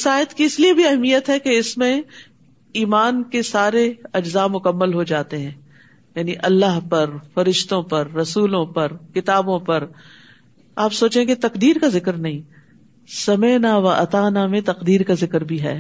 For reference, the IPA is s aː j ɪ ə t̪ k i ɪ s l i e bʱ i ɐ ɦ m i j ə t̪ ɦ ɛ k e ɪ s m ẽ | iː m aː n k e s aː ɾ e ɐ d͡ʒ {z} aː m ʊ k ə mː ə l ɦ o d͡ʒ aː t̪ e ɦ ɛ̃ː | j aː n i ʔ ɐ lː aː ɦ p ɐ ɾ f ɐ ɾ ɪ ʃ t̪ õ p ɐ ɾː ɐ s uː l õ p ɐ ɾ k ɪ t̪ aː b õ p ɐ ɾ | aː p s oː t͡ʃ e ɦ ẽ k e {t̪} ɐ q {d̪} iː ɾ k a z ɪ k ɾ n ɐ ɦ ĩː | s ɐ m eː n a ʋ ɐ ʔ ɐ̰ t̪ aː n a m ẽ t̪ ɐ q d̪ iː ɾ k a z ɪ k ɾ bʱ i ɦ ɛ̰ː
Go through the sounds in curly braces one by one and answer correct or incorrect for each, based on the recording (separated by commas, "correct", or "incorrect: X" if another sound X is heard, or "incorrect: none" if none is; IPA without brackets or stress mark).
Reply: correct, correct, correct